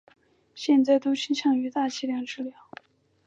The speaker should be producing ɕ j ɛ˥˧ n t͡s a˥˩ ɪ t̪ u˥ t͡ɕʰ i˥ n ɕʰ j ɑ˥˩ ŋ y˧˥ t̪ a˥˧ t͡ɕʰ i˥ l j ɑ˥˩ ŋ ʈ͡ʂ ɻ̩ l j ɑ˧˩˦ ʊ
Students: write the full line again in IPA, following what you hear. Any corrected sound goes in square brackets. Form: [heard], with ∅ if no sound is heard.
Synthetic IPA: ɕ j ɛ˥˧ n t͡s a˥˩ ɪ t̪ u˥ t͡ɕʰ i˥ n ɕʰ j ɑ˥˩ ŋ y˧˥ t̪ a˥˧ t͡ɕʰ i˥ l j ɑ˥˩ ŋ ʈ͡ʂ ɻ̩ l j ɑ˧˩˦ ʊ